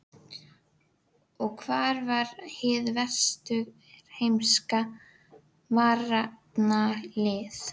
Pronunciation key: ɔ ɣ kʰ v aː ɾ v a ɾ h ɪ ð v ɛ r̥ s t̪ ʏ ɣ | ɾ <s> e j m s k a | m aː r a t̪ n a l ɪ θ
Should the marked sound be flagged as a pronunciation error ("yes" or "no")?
yes